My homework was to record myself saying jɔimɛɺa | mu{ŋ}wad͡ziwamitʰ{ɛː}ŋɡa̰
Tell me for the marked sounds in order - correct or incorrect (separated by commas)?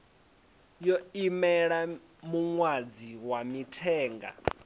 correct, correct